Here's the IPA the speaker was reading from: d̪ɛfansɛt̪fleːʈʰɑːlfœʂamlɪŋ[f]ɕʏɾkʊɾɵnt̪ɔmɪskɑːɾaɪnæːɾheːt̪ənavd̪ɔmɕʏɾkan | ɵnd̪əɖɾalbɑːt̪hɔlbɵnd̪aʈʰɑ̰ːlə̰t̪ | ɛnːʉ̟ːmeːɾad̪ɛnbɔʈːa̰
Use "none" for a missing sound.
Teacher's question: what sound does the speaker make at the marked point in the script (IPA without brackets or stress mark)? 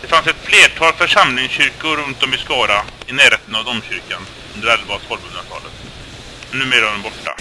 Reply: s